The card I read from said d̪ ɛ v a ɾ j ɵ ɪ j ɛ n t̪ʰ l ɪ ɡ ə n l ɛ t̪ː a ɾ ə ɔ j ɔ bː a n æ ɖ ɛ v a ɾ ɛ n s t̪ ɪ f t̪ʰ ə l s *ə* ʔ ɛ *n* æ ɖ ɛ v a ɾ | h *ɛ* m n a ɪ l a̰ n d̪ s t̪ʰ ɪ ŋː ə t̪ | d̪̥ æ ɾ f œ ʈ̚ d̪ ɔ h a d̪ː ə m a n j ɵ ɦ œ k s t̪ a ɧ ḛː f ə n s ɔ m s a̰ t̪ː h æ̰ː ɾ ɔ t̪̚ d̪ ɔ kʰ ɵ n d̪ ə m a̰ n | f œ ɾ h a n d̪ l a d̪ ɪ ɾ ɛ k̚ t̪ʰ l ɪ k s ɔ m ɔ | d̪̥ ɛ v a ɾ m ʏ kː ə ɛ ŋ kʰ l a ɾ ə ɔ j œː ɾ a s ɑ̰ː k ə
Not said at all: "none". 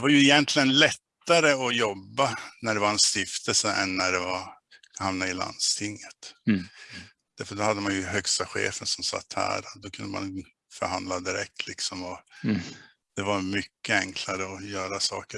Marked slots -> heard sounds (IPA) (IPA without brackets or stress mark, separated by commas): ə, nː, a